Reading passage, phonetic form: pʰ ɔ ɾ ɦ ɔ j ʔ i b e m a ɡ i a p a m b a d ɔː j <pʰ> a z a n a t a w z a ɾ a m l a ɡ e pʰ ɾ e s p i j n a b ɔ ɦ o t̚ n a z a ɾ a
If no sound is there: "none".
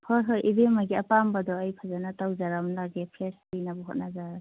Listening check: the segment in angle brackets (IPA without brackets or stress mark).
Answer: pʰ